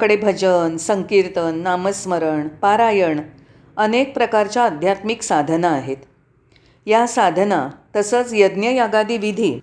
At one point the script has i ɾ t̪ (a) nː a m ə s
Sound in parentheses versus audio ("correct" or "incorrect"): incorrect